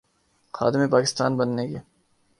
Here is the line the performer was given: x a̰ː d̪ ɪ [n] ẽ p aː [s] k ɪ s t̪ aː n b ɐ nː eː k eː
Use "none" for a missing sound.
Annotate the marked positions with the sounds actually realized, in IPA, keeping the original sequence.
m, none

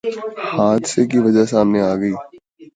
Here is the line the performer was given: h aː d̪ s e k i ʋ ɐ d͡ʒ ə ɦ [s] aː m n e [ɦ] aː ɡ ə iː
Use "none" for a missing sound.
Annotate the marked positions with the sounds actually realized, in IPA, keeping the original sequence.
s, none

